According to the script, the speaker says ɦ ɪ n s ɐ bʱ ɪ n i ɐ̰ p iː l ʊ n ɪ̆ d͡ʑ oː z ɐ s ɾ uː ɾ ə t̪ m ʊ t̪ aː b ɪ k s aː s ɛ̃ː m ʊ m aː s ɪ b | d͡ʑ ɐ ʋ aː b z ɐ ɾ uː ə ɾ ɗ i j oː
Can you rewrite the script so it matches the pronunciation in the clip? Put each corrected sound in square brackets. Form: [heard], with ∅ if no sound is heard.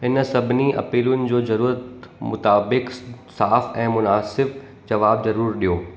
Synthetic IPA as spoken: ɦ ɪ n s ɐ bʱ ɪ n i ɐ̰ p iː l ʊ n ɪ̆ d͡ʑ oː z ɐ [∅] ɾ uː ɾ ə t̪ m ʊ t̪ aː b ɪ k s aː [f] ɛ̃ː m ʊ [n] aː s ɪ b | d͡ʑ ɐ ʋ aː b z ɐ ɾ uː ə ɾ ɗ i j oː